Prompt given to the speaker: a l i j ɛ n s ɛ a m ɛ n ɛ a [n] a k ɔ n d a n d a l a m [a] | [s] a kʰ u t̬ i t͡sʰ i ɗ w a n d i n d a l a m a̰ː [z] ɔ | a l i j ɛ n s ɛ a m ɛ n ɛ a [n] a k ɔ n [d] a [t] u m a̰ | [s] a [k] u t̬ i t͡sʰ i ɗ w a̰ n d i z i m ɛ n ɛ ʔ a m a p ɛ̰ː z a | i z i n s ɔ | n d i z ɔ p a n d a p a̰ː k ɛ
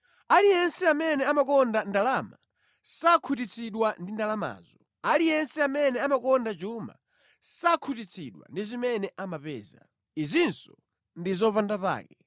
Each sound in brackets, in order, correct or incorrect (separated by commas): incorrect, correct, correct, correct, incorrect, correct, incorrect, correct, incorrect